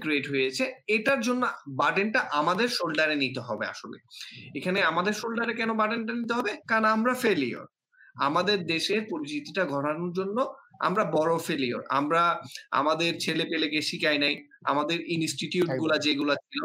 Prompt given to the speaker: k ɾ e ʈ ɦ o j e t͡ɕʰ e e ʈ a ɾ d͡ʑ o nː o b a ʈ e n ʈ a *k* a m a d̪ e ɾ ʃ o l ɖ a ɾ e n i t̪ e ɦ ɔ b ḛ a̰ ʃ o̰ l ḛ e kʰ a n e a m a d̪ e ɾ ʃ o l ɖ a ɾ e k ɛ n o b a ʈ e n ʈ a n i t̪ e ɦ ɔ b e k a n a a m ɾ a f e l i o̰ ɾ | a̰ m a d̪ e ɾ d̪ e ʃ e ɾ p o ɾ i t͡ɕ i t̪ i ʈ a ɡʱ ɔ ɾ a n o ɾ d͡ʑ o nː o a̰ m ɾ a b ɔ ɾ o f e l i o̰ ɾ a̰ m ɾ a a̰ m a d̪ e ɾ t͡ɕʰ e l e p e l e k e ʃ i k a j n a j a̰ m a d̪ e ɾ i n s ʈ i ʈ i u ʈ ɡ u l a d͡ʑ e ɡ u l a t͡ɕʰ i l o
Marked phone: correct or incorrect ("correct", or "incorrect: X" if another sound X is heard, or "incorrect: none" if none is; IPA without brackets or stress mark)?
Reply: incorrect: ʔ